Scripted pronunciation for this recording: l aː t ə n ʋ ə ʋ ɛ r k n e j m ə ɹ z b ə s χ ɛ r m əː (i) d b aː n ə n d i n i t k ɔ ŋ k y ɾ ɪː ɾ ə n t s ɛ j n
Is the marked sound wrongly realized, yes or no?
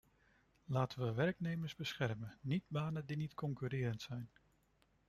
no